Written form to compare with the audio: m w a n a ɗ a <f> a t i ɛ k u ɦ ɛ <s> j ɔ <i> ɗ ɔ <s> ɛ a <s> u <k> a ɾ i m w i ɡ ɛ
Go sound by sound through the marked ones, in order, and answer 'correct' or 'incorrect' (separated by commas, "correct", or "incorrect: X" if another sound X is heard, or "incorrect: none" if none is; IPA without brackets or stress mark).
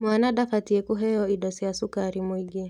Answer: correct, incorrect: none, correct, correct, correct, correct